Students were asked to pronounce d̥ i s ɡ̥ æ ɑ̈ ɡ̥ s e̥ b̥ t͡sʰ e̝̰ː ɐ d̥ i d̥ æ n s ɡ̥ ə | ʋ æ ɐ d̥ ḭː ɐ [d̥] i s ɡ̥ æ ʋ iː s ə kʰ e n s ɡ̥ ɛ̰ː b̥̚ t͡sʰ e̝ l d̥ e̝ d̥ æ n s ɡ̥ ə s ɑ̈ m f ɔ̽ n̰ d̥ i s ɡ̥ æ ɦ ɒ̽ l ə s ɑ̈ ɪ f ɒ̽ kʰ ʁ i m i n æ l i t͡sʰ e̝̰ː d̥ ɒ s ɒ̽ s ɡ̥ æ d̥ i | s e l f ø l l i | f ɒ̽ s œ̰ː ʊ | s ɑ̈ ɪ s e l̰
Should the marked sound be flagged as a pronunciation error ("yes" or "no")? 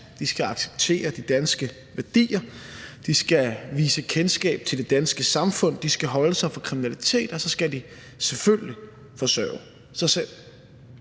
no